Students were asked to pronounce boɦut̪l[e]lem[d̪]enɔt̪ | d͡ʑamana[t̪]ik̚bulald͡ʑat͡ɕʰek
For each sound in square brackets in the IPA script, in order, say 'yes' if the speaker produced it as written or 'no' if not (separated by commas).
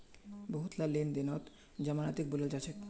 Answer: no, yes, yes